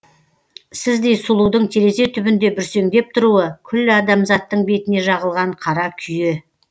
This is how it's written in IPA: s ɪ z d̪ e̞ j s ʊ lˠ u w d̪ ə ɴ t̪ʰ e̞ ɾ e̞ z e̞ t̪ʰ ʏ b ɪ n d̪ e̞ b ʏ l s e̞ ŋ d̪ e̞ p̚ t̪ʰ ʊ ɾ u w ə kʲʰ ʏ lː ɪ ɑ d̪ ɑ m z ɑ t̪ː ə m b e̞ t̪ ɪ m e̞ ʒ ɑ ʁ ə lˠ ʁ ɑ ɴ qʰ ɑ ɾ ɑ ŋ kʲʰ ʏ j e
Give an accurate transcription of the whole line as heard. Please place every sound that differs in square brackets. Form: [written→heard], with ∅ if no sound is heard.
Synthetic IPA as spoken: s ɪ z d̪ e̞ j s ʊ lˠ u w d̪ ə ɴ t̪ʰ e̞ ɾ e̞ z e̞ t̪ʰ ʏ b ɪ n d̪ e̞ b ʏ [l→ɾ] s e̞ ŋ d̪ e̞ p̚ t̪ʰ ʊ ɾ u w ə kʲʰ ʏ lː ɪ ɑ d̪ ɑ m z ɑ t̪ː ə [m→ɴ] b e̞ t̪ ɪ [m→n] e̞ ʒ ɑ ʁ ə lˠ ʁ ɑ ɴ qʰ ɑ ɾ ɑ [ŋ→∅] kʲʰ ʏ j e

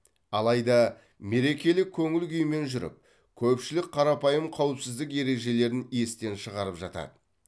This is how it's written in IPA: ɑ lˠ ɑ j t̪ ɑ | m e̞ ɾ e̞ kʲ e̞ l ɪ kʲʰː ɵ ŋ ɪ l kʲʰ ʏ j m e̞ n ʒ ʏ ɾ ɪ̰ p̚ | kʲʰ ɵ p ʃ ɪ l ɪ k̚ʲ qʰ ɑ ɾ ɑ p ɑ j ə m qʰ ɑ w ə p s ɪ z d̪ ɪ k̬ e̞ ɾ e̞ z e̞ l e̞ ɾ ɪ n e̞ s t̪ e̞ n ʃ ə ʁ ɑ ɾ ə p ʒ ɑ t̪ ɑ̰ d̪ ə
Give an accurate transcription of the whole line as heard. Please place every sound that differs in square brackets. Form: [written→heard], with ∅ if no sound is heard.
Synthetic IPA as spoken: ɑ lˠ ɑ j [t̪→d̪] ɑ | m e̞ ɾ e̞ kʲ e̞ l ɪ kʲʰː ɵ ŋ ɪ l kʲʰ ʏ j m e̞ n ʒ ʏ ɾ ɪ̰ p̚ | kʲʰ ɵ p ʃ ɪ l ɪ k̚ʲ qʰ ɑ ɾ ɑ p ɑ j ə m qʰ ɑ w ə p s ɪ z d̪ ɪ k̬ e̞ ɾ e̞ [z→ʒ] e̞ l e̞ ɾ ɪ n e̞ s t̪ e̞ n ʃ ə ʁ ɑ ɾ ə p ʒ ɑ t̪ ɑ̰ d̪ ə

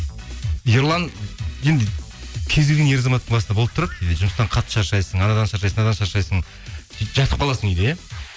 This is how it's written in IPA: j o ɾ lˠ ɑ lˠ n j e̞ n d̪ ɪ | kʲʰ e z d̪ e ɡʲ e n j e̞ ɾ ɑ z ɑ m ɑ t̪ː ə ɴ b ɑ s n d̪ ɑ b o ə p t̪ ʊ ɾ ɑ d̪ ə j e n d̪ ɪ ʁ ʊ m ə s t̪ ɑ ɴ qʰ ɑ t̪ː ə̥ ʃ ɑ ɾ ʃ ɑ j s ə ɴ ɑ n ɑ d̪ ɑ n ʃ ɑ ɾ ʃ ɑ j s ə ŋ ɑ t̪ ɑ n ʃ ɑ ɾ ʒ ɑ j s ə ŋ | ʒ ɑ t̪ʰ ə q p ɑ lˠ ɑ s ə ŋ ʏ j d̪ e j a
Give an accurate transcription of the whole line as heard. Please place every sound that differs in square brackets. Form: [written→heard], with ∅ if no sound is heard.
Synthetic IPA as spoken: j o ɾ lˠ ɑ [lˠ→∅] n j e̞ n d̪ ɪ | kʲʰ e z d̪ e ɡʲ e n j e̞ ɾ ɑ z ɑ m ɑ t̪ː ə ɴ b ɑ s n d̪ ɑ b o ə p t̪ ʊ ɾ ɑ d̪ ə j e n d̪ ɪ [ʁ→ʒ] ʊ m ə s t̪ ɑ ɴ qʰ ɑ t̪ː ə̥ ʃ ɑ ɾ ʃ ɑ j s ə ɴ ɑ n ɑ d̪ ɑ n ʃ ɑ ɾ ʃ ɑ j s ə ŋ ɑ [t̪→d̪] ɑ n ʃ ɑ ɾ [ʒ→ʃ] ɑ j s ə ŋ | ʒ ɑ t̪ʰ ə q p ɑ lˠ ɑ s ə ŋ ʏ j d̪ e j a

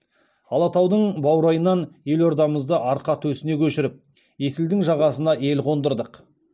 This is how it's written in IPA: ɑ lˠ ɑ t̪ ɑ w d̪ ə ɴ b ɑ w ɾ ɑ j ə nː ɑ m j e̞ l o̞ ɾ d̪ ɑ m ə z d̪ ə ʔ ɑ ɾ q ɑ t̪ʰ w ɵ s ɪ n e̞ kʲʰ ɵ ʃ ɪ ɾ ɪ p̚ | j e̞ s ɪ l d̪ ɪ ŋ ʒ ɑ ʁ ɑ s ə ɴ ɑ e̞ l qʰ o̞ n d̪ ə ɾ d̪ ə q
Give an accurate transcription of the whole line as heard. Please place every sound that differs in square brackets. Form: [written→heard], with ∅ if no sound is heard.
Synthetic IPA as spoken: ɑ lˠ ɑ t̪ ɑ w d̪ ə ɴ b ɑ w ɾ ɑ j ə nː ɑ [m→n] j e̞ l o̞ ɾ d̪ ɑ m ə z d̪ ə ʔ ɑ ɾ q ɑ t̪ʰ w ɵ s ɪ n e̞ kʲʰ ɵ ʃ ɪ ɾ ɪ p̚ | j e̞ s ɪ l d̪ ɪ ŋ ʒ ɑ ʁ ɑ s ə [ɴ→n] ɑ e̞ l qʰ o̞ n d̪ ə ɾ d̪ ə q

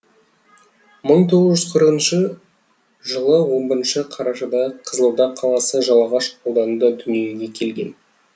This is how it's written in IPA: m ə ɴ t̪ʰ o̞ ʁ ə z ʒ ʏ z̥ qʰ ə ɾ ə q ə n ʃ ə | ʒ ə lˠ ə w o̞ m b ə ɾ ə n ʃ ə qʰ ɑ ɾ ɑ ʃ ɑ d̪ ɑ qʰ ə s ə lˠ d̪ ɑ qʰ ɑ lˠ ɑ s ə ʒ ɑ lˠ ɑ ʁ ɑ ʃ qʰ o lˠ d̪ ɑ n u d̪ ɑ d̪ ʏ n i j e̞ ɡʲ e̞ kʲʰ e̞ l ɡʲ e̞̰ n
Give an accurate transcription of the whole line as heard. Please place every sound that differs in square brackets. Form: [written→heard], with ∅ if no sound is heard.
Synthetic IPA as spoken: m ə ɴ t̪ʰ o̞ ʁ ə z ʒ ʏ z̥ qʰ ə ɾ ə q ə n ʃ ə | ʒ ə lˠ ə w o̞ m b ə ɾ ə n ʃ ə qʰ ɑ ɾ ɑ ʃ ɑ d̪ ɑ qʰ ə [s→z] ə lˠ d̪ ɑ qʰ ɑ lˠ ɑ s ə ʒ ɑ lˠ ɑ ʁ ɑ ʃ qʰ o lˠ d̪ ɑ n u d̪ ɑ d̪ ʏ n i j e̞ ɡʲ e̞ kʲʰ e̞ l ɡʲ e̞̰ n

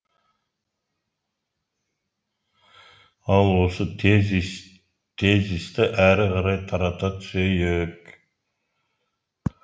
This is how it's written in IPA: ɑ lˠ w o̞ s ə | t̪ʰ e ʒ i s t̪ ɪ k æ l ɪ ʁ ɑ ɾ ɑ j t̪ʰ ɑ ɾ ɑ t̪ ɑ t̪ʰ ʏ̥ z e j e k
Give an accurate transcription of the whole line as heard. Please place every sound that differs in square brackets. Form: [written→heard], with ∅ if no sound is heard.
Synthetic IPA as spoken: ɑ lˠ w o̞ s ə | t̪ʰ e [ʒ→z] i s t̪ ɪ [k→ʔ] æ [l→ɾ] ɪ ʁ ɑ ɾ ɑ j t̪ʰ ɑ ɾ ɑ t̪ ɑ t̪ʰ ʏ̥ [z→s] e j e k

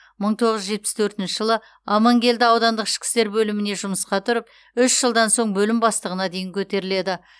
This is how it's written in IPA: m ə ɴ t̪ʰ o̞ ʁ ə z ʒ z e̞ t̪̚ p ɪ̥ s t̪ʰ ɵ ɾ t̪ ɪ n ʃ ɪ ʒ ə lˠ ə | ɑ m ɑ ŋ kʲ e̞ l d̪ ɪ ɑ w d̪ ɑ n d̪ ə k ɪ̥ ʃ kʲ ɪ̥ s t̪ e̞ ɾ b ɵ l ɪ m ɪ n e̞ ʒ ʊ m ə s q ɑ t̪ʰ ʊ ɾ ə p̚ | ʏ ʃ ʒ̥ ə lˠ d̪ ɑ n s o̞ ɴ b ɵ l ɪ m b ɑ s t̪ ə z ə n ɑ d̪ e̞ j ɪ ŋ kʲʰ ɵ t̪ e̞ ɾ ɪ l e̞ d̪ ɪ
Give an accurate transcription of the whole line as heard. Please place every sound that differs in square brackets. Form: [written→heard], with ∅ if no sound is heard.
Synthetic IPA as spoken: m ə ɴ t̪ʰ o̞ ʁ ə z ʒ [z→ʒ] e̞ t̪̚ p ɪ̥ s t̪ʰ ɵ ɾ t̪ ɪ n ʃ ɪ ʒ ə lˠ ə | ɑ m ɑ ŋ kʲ e̞ l d̪ ɪ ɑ w d̪ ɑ n d̪ ə [k→q] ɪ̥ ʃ kʲ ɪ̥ s t̪ e̞ ɾ b ɵ l ɪ m ɪ n e̞ ʒ ʊ m ə s q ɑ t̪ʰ ʊ ɾ ə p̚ | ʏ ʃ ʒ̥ ə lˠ d̪ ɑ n s o̞ ɴ b ɵ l ɪ m b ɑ s t̪ ə [z→ʁ] ə n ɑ d̪ e̞ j ɪ ŋ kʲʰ ɵ t̪ e̞ ɾ ɪ l e̞ d̪ ɪ

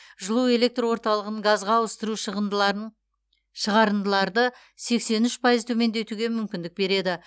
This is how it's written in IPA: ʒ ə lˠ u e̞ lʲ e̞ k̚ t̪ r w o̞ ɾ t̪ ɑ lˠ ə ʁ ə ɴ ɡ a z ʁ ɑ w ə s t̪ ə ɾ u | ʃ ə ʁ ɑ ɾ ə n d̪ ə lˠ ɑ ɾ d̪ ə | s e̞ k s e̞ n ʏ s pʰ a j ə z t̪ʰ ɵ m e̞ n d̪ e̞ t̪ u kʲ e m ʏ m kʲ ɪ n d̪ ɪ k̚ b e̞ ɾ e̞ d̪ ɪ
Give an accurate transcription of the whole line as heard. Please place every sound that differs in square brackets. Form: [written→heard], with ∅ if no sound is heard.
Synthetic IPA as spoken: ʒ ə lˠ u e̞ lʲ e̞ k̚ t̪ r w o̞ ɾ t̪ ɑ lˠ ə ʁ ə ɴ ɡ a z ʁ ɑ w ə s t̪ ə ɾ u | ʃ ə ʁ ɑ ɾ ə n d̪ ə lˠ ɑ ɾ d̪ ə | s e̞ k s e̞ n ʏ [s→ʃ] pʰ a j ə z t̪ʰ ɵ m e̞ n d̪ e̞ t̪ u [kʲ→ɡʲ] e m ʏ m kʲ ɪ n d̪ ɪ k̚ b e̞ ɾ e̞ d̪ ɪ

